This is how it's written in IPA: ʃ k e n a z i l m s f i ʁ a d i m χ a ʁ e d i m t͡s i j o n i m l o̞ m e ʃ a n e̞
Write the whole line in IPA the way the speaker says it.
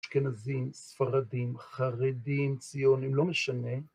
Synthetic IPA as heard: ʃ k e n a z i m s f a ʁ a d i m χ a ʁ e d i m t͡s i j o n i m l o̞ m e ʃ a n e̞